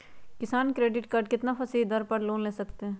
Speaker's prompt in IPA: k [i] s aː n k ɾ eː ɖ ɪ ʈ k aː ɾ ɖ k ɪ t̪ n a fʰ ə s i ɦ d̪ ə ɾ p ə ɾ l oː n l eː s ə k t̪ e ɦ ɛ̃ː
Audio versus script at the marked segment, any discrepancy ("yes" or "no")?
yes